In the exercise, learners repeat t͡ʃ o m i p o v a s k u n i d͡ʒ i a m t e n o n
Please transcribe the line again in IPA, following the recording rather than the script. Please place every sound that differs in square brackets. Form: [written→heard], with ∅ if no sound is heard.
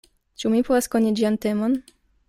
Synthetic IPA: t͡ʃ [o→u] m i p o v a s k [u→o] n i d͡ʒ i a [m→n] t e [n→m] o n